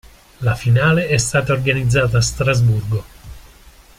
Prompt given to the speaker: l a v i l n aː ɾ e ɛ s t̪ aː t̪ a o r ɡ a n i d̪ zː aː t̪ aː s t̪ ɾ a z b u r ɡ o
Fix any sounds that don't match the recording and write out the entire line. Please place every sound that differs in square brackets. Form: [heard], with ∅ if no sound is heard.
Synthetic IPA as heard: l a [f] i [∅] n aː [l] e ɛ s t̪ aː t̪ a o r ɡ a n i d̪ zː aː t̪ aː s t̪ ɾ a z b u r ɡ o